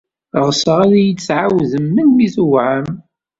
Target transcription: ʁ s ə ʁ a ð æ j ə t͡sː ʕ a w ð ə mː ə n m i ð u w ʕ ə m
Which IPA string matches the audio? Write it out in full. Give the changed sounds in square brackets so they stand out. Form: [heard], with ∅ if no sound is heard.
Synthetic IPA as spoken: ʁ s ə ʁ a ð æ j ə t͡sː ʕ a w ð ə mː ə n m i [θ] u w ʕ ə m